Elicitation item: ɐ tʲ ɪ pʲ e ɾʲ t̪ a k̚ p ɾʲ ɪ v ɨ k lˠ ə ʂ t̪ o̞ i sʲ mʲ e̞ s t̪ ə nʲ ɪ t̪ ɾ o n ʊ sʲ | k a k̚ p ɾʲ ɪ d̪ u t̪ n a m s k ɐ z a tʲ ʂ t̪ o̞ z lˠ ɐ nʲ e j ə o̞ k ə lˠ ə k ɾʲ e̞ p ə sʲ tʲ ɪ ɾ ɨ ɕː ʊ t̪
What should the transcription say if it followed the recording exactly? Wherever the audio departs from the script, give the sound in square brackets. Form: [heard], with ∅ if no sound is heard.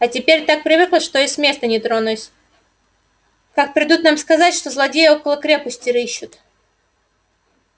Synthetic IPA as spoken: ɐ tʲ ɪ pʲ e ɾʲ t̪ a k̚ p ɾʲ ɪ v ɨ k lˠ ə ʂ t̪ o̞ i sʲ mʲ e̞ s t̪ ə nʲ ɪ t̪ ɾ o n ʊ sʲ | k a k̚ p ɾʲ ɪ d̪ u t̪ n a m s k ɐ z a tʲ ʂ t̪ o̞ z lˠ ɐ [dʲ] e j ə o̞ k ə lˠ ə k ɾʲ e̞ p ə sʲ tʲ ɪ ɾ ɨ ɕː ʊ t̪